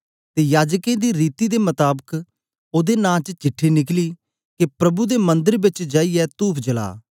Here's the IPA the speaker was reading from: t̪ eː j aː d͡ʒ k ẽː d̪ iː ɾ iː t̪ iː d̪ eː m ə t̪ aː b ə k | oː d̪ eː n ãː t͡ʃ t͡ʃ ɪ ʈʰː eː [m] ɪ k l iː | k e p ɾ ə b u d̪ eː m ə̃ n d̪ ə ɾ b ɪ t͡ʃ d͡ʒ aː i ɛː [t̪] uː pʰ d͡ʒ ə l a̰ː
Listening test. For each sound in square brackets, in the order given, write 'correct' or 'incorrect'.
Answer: incorrect: n, correct

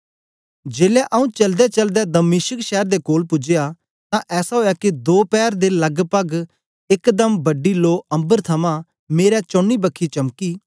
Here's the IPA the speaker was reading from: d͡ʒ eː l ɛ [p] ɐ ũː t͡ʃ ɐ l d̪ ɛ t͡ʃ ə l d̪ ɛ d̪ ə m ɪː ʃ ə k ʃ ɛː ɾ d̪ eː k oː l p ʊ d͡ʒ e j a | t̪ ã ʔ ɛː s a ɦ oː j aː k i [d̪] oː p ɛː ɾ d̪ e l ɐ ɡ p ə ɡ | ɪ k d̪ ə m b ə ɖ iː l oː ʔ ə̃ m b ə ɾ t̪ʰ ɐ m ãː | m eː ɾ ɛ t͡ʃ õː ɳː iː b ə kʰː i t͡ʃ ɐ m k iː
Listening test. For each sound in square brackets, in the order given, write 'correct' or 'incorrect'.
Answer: incorrect: ʔ, correct

